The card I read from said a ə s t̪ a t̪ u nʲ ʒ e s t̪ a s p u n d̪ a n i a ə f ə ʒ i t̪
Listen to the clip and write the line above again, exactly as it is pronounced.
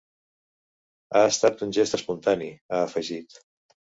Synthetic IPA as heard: a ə s t̪ a t̪ u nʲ ʒ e s t̪ ə s p u n t̪ a n i a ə f ə ʒ i t̪